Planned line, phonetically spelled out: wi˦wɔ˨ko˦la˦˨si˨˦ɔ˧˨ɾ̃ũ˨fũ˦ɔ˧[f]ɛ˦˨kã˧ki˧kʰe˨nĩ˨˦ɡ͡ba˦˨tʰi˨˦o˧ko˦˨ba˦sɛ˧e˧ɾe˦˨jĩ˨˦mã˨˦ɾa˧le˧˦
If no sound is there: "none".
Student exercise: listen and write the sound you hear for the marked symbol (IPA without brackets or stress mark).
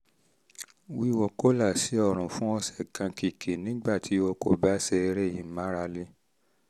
s